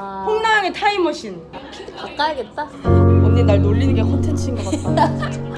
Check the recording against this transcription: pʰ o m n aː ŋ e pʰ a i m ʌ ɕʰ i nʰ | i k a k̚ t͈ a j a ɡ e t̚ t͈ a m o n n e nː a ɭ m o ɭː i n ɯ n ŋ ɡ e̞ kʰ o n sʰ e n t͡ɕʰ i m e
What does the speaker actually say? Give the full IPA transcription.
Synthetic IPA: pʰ o ŋ n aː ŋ e tʰ a i m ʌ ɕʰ i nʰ | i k a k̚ k͈ a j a ɡ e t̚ t͈ a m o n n e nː a ɭ n o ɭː i n ɯ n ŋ ɡ e̞ kʰ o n tʰ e n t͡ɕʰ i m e